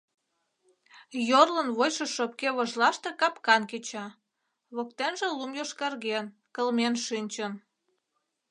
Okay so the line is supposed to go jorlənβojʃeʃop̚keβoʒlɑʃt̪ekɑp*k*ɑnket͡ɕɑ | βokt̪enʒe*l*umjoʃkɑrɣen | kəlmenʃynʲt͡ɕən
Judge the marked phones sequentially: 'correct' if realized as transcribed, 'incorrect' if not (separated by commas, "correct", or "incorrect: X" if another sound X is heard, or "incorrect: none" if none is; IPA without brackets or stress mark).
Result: correct, correct